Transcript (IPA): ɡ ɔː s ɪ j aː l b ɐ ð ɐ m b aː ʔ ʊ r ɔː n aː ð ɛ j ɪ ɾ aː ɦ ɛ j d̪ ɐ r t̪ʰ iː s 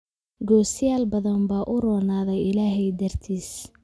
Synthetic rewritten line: ɡ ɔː s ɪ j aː l b ɐ ð ɐ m b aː ʔ ʊ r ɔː n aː ð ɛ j ɪ l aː ɦ ɛ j d̪ ɐ r t̪ʰ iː s